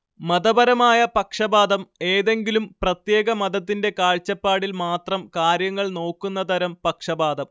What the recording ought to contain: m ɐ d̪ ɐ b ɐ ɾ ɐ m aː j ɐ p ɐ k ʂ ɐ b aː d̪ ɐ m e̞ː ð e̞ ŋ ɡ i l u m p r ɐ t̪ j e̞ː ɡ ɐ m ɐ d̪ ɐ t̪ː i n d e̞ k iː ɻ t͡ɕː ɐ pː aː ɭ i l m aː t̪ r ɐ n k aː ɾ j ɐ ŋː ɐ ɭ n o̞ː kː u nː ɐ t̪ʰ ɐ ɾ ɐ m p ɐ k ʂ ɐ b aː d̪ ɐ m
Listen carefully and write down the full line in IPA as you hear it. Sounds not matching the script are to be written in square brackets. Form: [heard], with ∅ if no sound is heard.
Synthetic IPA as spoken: m ɐ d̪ ɐ b ɐ ɾ ɐ m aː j ɐ p ɐ k ʂ ɐ b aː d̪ ɐ m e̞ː ð e̞ ŋ ɡ i l u m p r ɐ t̪ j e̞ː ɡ ɐ m ɐ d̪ ɐ t̪ː i n d e̞ k [aː] ɻ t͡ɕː ɐ pː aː [ɽ] i l m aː t̪ r ɐ [m] k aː ɾ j ɐ ŋː ɐ ɭ n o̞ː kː u nː ɐ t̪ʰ ɐ ɾ ɐ m p ɐ k ʂ ɐ b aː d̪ ɐ m